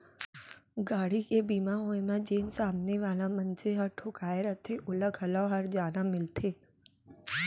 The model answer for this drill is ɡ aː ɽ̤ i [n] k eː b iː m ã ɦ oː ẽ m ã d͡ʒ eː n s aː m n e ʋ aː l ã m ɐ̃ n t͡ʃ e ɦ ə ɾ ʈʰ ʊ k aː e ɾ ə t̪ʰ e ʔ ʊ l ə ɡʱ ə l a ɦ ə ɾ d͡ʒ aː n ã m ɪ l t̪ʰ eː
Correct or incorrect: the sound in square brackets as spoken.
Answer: incorrect: none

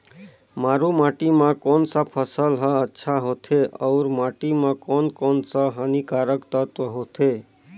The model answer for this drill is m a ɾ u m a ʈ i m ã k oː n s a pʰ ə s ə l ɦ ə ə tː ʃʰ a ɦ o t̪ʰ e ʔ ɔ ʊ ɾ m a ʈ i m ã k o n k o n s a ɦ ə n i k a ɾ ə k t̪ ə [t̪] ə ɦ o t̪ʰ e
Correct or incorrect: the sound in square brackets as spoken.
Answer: correct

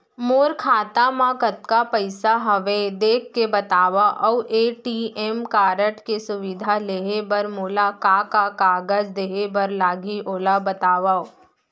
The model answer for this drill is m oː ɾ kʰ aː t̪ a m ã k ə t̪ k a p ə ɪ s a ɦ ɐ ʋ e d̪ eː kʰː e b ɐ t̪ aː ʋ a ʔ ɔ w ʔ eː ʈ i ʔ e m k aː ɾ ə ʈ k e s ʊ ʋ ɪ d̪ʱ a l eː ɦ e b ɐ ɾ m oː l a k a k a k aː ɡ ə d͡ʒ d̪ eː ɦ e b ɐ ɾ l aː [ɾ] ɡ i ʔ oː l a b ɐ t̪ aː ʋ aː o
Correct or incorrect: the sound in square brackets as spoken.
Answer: incorrect: none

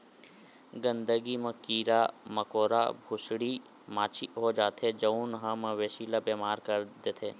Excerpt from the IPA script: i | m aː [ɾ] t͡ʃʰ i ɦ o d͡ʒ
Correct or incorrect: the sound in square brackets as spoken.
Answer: incorrect: none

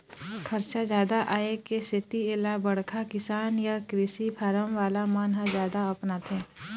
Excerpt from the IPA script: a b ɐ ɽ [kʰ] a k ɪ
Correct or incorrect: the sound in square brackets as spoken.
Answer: correct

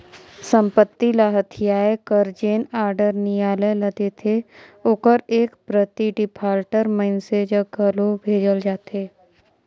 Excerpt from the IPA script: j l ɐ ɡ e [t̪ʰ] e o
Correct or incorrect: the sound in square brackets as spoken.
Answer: correct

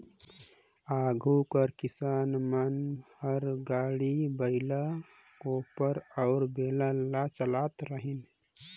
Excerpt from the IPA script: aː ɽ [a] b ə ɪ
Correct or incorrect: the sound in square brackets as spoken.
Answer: incorrect: i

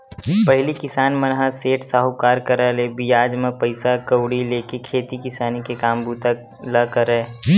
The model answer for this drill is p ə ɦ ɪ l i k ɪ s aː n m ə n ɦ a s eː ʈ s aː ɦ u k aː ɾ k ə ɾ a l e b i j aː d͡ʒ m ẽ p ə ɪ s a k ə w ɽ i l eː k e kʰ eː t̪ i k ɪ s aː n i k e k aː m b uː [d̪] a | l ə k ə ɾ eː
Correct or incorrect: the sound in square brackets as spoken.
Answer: incorrect: t̪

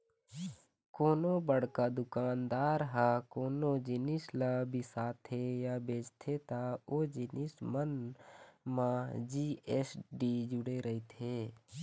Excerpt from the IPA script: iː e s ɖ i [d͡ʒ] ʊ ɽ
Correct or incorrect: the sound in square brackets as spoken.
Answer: correct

